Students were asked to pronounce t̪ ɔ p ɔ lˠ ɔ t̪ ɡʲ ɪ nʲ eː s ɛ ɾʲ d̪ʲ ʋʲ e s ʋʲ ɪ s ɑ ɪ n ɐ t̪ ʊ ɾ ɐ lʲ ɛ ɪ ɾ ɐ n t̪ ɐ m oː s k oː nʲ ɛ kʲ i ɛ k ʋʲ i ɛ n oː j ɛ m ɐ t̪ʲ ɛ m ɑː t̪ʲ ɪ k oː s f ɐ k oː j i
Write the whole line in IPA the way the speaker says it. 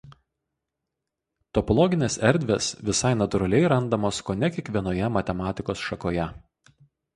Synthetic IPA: t̪ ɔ p ɔ lˠ ɔ ɡʲ ɪ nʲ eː s ɛ ɾʲ d̪ʲ ʋʲ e s ʋʲ ɪ s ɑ ɪ n ɐ t̪ ʊ ɾ ɐ lʲ ɛ ɪ ɾ ɐ n d̪ ɐ m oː s k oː nʲ ɛ kʲ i ɛ k ʋʲ i ɛ n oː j ɛ m ɐ t̪ʲ ɛ m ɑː t̪ʲ ɪ k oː s ʃ ɐ k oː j ɛ